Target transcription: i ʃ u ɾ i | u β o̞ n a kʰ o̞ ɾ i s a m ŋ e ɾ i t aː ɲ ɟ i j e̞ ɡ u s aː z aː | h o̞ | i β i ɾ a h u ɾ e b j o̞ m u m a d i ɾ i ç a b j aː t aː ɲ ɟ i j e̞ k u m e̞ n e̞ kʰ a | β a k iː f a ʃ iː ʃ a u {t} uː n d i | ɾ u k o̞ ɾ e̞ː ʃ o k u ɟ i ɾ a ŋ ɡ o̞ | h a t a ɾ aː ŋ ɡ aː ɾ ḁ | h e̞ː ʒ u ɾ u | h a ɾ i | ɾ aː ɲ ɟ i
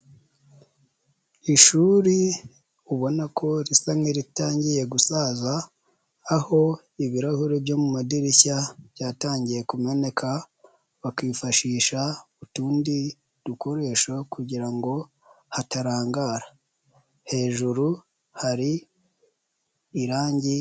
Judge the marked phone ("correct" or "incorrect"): correct